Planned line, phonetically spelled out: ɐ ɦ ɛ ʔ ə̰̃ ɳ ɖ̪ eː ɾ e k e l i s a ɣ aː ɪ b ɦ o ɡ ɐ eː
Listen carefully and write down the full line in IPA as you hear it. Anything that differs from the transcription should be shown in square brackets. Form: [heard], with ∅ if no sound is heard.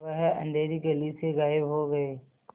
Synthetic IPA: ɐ ɦ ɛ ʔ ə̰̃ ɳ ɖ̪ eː ɾ [i] k e l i s [e] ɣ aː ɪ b ɦ o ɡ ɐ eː